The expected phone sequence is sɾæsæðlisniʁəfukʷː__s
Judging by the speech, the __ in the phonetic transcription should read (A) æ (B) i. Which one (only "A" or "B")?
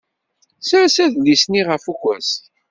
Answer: A